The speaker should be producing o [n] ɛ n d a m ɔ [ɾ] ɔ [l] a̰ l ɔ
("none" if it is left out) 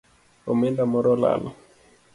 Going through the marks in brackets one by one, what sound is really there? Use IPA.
m, ɾ, l

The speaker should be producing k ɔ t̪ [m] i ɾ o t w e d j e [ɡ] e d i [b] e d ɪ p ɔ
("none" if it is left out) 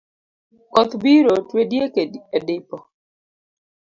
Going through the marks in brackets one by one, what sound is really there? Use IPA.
b, k, none

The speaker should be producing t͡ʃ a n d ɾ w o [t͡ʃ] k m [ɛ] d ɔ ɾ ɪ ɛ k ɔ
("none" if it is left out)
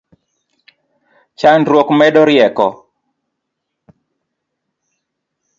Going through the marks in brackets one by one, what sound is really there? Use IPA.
none, ɛ

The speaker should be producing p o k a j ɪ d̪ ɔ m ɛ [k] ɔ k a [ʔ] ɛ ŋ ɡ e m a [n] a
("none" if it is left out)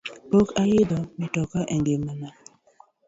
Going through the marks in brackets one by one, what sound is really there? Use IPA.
t, ʔ, n

